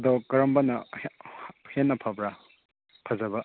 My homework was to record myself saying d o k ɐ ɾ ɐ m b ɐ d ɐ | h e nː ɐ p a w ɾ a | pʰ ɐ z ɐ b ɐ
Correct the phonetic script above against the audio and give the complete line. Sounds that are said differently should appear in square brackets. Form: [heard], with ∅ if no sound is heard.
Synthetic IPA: d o k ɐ ɾ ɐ m b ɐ [n] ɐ | h e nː ɐ [pʰ] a [b] ɾ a | pʰ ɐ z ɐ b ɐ